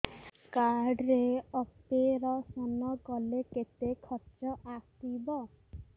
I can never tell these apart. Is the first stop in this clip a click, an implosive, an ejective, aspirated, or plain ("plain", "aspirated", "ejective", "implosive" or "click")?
plain